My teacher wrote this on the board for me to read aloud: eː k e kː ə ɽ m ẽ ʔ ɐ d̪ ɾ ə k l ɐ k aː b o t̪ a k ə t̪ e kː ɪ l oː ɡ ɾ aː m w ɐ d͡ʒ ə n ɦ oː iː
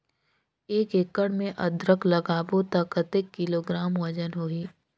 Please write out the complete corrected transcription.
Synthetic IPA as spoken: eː k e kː ə ɽ m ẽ ʔ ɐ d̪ ɾ ə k l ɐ ɡ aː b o t̪ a k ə t̪ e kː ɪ l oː ɡ ɾ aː m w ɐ d͡ʒ ə n ɦ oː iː